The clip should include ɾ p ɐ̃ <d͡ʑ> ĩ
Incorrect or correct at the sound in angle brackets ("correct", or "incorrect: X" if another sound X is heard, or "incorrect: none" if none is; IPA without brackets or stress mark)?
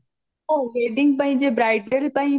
incorrect: none